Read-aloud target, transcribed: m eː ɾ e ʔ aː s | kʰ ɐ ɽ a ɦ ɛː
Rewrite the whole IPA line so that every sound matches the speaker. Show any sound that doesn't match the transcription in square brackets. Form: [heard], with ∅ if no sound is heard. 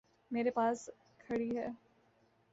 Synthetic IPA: m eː ɾ e [p] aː s | kʰ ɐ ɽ [i] ɦ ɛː